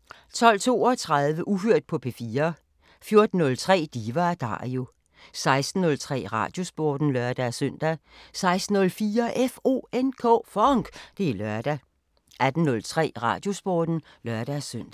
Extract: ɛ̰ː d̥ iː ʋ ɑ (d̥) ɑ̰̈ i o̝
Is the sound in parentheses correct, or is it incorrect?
correct